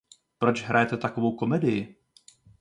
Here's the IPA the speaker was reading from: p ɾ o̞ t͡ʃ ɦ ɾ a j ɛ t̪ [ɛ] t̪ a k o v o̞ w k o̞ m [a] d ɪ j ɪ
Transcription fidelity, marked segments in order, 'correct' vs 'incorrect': correct, incorrect: ɛ

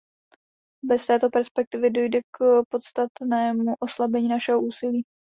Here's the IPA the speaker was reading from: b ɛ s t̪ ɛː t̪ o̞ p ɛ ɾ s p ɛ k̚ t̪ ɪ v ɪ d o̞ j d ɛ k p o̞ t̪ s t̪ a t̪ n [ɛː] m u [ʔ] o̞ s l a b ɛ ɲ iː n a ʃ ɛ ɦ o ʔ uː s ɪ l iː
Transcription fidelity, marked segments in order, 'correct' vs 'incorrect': correct, correct

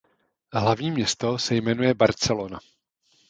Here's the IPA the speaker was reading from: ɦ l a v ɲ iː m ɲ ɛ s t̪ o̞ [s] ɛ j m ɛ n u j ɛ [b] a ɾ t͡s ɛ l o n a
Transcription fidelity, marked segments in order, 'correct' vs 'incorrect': correct, correct

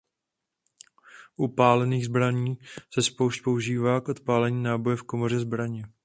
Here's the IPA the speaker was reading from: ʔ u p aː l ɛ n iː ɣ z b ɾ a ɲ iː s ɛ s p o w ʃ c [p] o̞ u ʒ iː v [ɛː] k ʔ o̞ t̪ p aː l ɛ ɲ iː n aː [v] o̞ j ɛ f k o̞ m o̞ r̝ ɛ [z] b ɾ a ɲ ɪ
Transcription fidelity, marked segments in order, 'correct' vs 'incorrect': correct, incorrect: aː, incorrect: b, correct

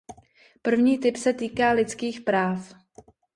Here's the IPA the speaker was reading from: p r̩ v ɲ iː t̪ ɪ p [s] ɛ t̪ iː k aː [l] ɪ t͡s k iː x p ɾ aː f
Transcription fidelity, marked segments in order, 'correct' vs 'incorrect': correct, correct

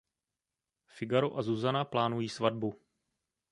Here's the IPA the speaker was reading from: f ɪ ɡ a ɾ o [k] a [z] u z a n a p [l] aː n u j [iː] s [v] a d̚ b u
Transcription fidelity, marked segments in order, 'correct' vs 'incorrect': incorrect: ʔ, correct, correct, correct, correct

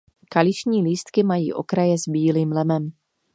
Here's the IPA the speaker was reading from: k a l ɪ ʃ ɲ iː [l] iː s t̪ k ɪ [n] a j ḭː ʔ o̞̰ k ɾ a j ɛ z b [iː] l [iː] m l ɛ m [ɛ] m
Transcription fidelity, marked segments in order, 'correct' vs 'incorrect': correct, incorrect: m, correct, correct, correct

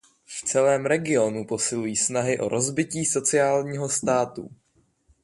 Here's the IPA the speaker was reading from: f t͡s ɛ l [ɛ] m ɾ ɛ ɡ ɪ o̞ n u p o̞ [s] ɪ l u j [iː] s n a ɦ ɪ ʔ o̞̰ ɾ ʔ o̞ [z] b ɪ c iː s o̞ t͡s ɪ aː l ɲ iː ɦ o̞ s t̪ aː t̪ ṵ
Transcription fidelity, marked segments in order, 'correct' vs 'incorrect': incorrect: ɛː, correct, correct, correct

